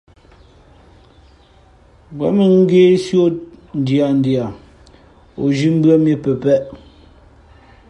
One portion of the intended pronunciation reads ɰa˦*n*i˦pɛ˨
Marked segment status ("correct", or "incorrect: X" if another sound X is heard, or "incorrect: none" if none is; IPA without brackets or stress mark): incorrect: m